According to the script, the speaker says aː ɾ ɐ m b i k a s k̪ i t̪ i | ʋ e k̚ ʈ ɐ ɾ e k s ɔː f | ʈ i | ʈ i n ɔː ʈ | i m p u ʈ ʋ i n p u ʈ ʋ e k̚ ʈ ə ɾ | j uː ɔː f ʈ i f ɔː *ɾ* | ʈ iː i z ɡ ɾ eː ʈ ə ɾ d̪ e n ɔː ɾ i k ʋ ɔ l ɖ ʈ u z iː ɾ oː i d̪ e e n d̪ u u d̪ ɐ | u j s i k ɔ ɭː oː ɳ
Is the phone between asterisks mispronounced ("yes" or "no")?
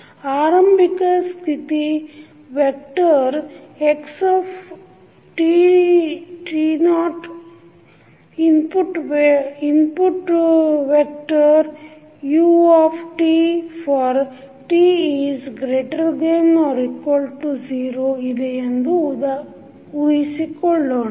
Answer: no